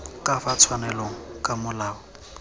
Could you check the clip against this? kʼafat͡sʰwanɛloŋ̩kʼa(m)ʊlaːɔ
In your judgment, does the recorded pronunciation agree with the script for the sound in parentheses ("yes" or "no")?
yes